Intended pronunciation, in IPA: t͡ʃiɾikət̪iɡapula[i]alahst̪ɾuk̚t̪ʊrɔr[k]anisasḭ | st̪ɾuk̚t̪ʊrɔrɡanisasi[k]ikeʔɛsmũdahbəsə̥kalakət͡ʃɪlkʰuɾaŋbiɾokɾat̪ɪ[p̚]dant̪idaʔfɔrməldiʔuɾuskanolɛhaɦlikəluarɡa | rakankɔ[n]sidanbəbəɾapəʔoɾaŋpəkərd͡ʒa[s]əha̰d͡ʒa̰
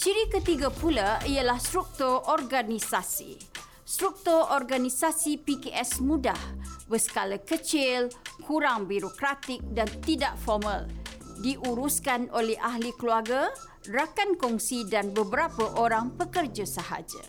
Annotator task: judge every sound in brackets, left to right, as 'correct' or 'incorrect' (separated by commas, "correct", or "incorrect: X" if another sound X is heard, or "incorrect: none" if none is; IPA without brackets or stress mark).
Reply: correct, incorrect: ɡ, incorrect: p, incorrect: k̚, incorrect: ŋ, correct